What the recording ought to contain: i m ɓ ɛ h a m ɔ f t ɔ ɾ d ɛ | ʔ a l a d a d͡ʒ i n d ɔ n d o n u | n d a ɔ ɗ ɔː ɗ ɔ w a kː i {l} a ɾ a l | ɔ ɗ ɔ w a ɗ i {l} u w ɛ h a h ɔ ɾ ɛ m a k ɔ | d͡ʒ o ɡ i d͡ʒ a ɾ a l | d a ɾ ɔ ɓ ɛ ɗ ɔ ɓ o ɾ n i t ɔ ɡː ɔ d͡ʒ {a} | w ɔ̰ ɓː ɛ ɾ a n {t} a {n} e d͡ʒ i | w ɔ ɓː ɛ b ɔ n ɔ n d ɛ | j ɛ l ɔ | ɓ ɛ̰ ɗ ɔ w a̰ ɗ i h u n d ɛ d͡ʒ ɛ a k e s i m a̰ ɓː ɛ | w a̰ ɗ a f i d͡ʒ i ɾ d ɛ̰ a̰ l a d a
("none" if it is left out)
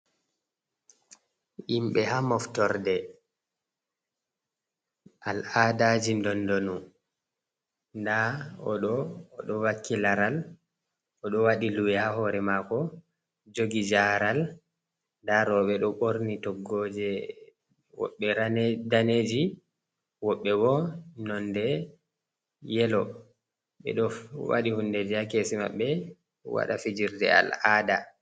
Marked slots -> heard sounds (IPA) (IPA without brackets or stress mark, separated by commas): l, l, ɛ, d, n